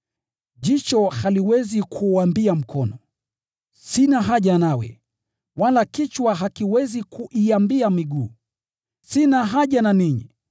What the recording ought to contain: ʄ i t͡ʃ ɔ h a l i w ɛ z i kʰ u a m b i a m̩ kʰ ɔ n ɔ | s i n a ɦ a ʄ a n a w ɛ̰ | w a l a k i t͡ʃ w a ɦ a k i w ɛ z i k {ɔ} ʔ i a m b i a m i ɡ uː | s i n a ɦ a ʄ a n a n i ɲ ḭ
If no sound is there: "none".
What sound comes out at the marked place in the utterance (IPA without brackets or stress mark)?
u